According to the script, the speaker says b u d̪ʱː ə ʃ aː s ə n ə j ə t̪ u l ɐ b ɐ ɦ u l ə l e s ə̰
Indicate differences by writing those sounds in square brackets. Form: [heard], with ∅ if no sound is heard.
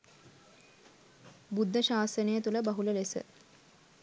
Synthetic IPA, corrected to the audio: b u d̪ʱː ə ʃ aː s ə n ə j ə t̪ u l [ə] b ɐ ɦ u l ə l e s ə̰